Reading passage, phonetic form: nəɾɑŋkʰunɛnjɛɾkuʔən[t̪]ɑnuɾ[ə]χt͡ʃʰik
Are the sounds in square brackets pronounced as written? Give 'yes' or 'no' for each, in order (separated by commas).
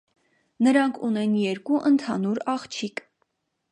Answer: no, no